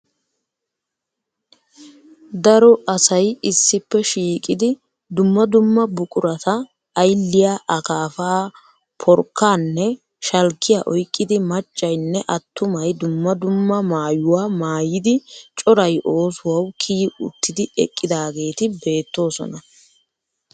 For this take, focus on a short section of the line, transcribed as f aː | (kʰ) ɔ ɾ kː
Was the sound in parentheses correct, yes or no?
no